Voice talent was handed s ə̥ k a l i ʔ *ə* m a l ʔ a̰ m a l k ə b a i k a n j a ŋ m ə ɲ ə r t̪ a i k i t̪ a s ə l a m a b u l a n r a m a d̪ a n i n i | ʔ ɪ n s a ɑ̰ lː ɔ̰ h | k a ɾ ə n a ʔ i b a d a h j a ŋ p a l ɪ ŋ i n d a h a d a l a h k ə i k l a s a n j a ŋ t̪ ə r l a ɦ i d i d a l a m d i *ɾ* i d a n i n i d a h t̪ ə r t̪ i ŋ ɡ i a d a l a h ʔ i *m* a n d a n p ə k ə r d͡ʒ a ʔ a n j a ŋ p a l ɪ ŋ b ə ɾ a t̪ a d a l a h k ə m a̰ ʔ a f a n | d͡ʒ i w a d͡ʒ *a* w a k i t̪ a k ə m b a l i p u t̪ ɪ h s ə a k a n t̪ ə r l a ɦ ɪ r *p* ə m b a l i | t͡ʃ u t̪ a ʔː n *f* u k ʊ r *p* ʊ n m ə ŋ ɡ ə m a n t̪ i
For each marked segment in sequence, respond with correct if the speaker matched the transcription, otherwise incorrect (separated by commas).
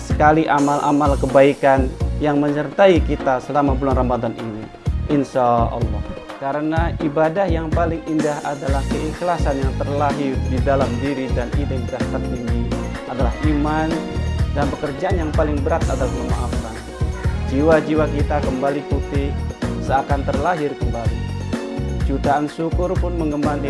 incorrect, correct, correct, incorrect, incorrect, incorrect, correct